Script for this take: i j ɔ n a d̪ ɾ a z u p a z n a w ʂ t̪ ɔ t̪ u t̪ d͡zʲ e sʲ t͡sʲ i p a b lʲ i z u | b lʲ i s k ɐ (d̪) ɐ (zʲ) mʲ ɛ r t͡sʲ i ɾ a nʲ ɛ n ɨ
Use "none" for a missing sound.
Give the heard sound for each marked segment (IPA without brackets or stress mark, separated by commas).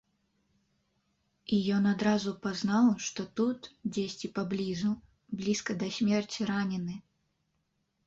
d̪, sʲ